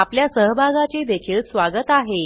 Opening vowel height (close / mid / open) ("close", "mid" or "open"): open